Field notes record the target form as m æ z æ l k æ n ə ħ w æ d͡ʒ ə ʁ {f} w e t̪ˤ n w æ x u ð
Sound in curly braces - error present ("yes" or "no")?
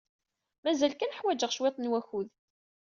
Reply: yes